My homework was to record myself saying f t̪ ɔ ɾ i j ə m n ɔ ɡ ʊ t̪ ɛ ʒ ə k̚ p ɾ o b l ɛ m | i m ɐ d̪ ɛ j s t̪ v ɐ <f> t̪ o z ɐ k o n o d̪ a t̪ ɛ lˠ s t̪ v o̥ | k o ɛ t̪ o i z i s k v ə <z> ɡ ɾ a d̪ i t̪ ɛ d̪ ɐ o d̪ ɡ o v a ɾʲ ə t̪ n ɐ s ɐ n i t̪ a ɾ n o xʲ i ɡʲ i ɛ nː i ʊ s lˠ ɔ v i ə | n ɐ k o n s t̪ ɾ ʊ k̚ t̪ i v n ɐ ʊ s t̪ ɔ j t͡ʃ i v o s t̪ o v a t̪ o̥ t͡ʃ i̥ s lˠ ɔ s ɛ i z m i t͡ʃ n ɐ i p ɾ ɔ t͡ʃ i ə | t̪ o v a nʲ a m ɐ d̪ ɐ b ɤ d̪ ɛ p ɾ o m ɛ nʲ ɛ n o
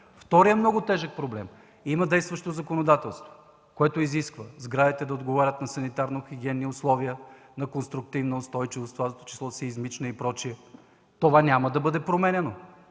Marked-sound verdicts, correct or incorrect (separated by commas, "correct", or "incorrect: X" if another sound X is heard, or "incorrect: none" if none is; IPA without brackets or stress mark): incorrect: ʃ, correct